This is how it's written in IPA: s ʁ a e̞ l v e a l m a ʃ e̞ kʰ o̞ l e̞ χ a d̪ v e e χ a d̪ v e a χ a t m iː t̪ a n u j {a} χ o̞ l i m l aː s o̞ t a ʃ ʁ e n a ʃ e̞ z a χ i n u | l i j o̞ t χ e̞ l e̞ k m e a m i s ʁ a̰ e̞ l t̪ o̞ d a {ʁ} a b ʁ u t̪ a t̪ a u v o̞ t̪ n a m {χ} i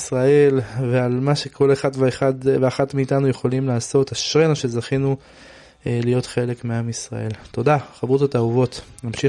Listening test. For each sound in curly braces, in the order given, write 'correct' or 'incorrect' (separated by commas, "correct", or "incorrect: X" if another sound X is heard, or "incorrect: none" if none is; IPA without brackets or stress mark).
incorrect: e, incorrect: χ, incorrect: ʃ